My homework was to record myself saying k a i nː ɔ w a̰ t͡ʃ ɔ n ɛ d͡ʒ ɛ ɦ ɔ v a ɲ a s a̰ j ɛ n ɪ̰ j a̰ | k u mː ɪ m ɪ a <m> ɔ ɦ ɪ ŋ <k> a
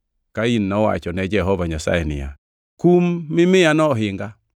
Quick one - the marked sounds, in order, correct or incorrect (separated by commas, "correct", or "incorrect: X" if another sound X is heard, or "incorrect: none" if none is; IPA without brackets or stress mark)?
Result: incorrect: n, incorrect: ɡ